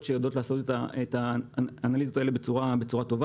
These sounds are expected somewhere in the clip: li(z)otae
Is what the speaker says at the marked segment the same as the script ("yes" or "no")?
yes